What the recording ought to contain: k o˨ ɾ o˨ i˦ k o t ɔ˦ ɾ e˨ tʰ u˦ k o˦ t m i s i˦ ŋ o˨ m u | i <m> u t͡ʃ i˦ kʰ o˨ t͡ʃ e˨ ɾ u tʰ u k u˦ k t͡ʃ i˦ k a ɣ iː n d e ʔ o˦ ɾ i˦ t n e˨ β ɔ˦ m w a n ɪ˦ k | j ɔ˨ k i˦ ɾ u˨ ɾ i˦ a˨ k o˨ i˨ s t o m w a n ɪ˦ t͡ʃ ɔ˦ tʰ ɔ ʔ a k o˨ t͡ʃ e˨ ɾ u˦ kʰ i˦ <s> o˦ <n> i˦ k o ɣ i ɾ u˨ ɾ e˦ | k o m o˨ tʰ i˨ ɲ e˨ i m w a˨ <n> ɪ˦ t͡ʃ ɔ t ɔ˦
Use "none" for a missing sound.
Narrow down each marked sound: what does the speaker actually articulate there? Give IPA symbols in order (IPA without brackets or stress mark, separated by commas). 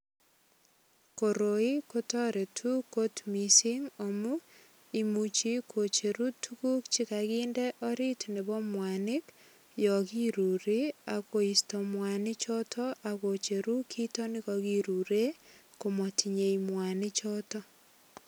m, t, n, n